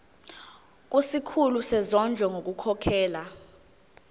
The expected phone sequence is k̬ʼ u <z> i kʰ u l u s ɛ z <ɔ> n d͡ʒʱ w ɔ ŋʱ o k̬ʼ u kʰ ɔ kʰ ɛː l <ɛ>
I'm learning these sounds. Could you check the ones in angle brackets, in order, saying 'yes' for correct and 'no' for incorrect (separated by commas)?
no, yes, no